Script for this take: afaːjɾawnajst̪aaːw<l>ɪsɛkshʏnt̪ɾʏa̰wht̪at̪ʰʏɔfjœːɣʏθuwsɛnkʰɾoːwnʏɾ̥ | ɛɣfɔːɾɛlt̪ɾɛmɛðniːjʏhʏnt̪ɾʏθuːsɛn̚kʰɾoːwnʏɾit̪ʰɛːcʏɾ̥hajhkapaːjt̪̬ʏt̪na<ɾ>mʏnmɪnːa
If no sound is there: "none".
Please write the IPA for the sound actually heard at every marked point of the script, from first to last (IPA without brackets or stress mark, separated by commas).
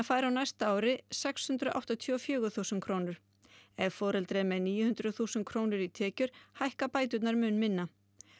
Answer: ɾ, ɾ